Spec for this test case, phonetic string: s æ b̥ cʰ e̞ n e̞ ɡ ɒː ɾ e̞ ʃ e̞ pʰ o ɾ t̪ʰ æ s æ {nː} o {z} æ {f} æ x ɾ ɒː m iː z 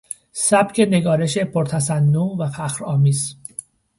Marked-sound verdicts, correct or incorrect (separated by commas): correct, incorrect, correct